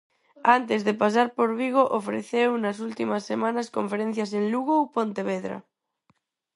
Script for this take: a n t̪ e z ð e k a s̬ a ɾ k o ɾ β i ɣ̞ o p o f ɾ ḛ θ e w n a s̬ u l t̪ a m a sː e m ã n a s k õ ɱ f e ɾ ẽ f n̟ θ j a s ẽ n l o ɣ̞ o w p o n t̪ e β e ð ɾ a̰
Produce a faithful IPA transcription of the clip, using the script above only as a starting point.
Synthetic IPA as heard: a n t̪ e z ð e p a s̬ a ɾ p o ɾ β i ɣ̞ o ʔ o f ɾ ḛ θ e w n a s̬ u l t̪ i m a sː e m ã n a s k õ ɱ f e ɾ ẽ n̟ θ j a s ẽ n l u ɣ̞ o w p o n t̪ e β e ð ɾ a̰